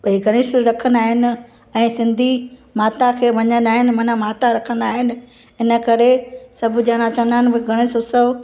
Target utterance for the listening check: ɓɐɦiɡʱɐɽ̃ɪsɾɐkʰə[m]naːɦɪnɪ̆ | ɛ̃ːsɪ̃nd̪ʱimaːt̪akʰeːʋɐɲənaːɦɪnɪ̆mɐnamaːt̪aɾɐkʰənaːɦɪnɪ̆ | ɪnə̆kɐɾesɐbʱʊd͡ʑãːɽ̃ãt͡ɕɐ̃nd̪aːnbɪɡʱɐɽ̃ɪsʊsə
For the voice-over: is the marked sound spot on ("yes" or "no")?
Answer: no